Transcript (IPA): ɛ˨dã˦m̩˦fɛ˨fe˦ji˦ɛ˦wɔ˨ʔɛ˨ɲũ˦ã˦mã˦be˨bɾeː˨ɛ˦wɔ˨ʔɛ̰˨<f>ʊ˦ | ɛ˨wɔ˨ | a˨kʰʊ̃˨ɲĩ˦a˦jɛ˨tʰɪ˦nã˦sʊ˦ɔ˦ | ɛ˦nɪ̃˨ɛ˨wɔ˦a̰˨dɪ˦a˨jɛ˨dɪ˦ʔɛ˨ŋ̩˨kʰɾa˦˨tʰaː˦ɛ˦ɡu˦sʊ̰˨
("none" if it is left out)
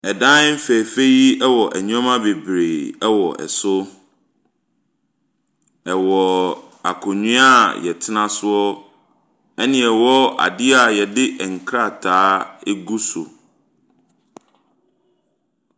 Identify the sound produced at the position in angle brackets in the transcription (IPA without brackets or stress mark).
s